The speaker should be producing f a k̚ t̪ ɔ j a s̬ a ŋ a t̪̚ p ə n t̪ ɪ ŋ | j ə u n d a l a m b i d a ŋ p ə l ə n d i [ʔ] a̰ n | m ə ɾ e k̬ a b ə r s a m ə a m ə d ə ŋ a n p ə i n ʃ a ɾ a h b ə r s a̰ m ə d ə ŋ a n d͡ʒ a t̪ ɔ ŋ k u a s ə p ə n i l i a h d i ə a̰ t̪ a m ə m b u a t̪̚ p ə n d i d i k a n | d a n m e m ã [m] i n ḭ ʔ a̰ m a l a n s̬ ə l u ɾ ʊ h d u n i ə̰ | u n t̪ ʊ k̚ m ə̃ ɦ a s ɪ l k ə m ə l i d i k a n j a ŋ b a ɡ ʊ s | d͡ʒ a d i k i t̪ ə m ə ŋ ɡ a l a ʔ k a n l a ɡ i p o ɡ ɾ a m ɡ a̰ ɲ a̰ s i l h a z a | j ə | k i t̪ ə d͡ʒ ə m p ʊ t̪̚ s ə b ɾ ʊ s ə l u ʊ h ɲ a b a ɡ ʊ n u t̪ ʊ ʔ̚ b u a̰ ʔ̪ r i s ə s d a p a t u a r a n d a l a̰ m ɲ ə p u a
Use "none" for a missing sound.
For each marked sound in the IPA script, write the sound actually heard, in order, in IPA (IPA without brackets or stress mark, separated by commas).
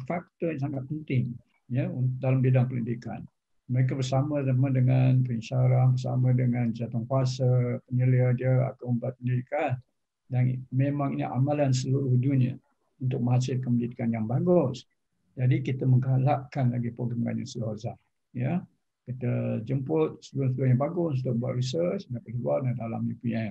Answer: k, ŋ